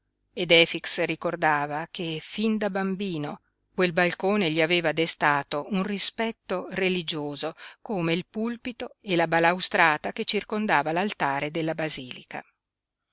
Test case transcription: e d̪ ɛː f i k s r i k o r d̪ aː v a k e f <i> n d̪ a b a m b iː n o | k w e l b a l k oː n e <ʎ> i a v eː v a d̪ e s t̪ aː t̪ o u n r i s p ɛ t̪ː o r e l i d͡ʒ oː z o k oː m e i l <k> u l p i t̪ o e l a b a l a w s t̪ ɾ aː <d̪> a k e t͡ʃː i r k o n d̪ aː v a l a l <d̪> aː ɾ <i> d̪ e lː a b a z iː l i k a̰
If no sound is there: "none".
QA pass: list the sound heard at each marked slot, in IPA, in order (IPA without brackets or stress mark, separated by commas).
i, ʎ, p, t̪, t̪, e